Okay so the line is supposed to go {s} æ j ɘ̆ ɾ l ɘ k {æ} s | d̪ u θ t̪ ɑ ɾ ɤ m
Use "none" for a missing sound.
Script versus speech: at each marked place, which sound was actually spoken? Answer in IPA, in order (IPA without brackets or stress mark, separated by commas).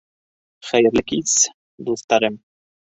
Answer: χ, i